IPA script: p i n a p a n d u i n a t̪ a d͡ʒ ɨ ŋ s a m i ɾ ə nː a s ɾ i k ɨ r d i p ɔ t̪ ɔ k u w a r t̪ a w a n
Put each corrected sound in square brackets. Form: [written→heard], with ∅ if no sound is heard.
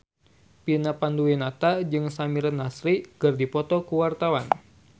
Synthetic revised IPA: p i n a p a n d u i n a t̪ a d͡ʒ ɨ ŋ s a m i ɾ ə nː a s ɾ i k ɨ r d i p ɔ t̪ ɔ k u w a r t̪ a w a n